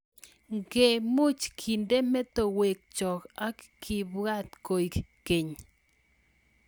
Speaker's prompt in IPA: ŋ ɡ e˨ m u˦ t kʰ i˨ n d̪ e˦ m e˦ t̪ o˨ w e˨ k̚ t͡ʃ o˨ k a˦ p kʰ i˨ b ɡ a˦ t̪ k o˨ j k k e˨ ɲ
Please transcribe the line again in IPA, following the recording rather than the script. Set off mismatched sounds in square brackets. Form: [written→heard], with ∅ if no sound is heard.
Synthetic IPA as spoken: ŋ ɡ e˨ m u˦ [t→t͡ʃ] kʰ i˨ n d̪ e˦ m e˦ t̪ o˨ w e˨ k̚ t͡ʃ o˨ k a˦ [p→k] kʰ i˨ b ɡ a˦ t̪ k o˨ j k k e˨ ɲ